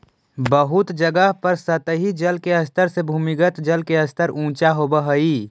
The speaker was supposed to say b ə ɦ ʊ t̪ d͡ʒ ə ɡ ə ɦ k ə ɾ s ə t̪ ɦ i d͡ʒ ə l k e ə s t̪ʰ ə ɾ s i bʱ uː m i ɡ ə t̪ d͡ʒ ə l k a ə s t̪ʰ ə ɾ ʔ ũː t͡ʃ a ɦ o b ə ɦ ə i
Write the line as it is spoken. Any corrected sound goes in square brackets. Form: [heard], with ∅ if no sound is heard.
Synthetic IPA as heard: b ə ɦ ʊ t̪ d͡ʒ ə ɡ ə ɦ [p] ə ɾ s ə t̪ ɦ i d͡ʒ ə l k e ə s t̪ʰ ə ɾ s [e] bʱ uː m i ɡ ə t̪ d͡ʒ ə l k [e] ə s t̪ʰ ə ɾ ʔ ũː t͡ʃ a ɦ o b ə ɦ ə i